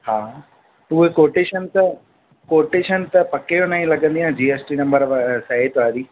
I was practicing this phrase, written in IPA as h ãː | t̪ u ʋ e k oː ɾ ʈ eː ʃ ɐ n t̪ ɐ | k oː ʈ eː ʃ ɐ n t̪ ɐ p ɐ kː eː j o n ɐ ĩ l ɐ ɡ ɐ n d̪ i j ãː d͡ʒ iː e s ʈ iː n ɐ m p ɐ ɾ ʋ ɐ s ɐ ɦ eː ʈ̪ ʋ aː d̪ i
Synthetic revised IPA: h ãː | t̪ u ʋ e k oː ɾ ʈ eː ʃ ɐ n t̪ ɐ | k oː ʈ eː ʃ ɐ n t̪ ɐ p ɐ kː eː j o n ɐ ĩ l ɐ ɡ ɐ n d̪ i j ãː d͡ʒ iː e s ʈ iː n ɐ m b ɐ ɾ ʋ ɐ s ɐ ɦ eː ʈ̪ ʋ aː d̪ i